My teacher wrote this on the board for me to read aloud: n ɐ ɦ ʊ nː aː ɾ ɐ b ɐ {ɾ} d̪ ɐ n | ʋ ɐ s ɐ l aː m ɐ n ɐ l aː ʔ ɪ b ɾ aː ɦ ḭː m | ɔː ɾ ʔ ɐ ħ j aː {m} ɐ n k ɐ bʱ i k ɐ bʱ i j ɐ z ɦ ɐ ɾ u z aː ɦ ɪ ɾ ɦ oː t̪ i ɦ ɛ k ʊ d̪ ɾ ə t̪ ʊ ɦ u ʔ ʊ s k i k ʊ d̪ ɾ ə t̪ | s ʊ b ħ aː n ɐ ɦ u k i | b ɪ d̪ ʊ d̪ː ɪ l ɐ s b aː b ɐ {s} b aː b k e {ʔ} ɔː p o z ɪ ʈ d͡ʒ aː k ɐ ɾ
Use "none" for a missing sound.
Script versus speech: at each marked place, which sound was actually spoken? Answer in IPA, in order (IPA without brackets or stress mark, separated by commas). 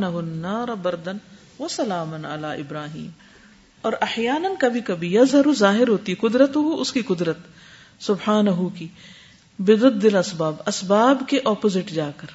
ɾ, n, s, ʔ